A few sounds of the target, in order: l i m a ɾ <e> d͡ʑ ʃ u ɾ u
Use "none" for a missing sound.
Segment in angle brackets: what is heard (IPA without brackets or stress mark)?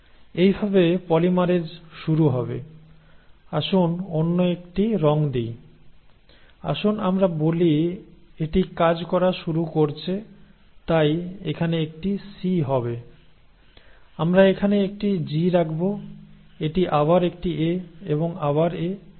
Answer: e